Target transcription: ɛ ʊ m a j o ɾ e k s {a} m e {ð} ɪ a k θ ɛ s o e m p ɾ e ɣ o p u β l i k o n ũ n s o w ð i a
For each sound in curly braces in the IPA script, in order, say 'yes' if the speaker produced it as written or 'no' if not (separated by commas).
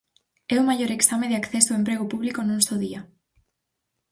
yes, yes